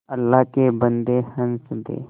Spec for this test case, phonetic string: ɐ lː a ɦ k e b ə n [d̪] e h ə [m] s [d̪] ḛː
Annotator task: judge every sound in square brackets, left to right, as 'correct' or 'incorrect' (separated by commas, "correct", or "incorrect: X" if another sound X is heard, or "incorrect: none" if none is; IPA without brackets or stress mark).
correct, incorrect: n, correct